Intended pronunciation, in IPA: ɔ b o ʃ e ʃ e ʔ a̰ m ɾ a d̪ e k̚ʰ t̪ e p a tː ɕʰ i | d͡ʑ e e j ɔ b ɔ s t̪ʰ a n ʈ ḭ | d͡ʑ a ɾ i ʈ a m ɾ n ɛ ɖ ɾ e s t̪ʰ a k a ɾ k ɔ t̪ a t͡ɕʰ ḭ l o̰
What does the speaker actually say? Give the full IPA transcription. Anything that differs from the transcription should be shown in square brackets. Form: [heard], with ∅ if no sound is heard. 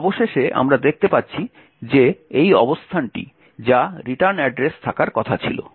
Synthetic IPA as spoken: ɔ b o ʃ e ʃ e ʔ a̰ m ɾ a d̪ e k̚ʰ t̪ e p a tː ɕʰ i | d͡ʑ e e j ɔ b [o] s t̪ʰ a n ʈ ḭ | d͡ʑ a ɾ i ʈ a [∅] ɾ n ɛ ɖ ɾ e s t̪ʰ a k a ɾ k ɔ [t̪ʰ] a t͡ɕʰ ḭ l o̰